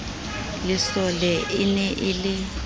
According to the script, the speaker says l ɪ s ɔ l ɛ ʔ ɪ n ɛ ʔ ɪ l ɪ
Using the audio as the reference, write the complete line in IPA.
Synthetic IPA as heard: l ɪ s ɔ l ɛ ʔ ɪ n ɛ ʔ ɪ l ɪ